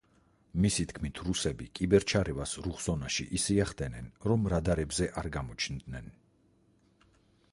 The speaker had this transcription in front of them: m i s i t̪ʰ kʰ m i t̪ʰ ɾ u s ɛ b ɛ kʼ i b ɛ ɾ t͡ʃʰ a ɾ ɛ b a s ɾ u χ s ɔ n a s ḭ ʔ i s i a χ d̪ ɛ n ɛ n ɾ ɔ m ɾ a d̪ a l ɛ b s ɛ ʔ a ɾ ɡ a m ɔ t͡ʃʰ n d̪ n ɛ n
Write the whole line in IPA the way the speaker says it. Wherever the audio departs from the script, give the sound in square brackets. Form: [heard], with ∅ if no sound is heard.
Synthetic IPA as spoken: m i s i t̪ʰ kʰ m i t̪ʰ ɾ u s ɛ b [i] kʼ i b ɛ ɾ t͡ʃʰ a ɾ ɛ [v] a s ɾ u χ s ɔ n a [ʃ] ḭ ʔ i s i a χ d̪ ɛ n ɛ n ɾ ɔ m ɾ a d̪ a [ɾ] ɛ b [z] ɛ ʔ a ɾ ɡ a m ɔ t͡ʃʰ n d̪ n ɛ n